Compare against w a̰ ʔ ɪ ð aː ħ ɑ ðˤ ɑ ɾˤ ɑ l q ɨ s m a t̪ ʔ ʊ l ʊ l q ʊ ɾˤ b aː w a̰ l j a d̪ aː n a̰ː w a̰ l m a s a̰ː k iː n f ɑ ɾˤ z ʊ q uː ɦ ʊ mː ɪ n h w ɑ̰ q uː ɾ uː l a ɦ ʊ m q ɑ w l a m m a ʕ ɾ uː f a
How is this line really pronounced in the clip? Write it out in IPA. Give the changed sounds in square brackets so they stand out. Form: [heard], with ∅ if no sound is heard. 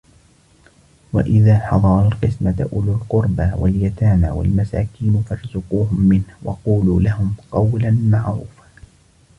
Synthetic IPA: w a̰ ʔ ɪ ð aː ħ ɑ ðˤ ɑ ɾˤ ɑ l q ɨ s m a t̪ ʔ ʊ l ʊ l q ʊ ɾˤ b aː w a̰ l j a [t̪] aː n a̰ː w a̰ l m a s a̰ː k iː n f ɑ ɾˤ z ʊ q uː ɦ ʊ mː ɪ n h w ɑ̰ q uː [l] uː l a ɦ ʊ m q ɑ w l a [n] m a ʕ ɾ uː f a